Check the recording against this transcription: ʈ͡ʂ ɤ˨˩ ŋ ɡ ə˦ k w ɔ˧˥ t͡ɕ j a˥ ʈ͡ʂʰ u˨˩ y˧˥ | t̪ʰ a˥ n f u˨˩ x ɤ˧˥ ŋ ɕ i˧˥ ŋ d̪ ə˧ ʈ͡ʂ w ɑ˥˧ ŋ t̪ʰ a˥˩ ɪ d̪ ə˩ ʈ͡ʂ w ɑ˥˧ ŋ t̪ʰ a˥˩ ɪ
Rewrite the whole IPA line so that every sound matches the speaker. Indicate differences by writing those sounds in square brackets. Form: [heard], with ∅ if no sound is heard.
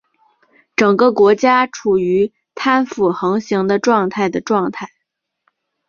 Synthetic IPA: ʈ͡ʂ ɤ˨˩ ŋ ɡ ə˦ k w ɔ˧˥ t͡ɕ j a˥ ʈ͡ʂʰ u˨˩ y˧˥ | t̪ʰ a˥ n f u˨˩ x ɤ˧˥ ŋ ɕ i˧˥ ŋ d̪ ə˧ ʈ͡ʂ w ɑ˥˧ ŋ t̪ʰ a˥˩ ɪ d̪ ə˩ ʈ͡ʂ w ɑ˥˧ ŋ t̪ʰ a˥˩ ɪ